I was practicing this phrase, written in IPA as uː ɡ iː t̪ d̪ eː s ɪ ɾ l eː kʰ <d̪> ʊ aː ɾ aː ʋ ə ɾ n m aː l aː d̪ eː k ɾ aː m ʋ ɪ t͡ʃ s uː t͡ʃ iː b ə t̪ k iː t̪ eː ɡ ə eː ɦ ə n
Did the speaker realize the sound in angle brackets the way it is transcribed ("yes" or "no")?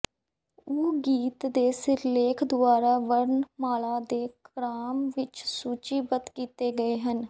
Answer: yes